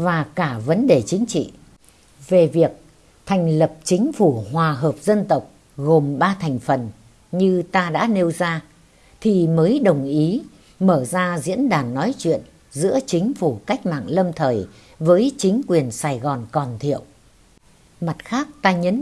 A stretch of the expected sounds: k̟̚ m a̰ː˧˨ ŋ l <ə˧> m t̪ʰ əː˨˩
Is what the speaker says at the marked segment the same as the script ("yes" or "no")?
yes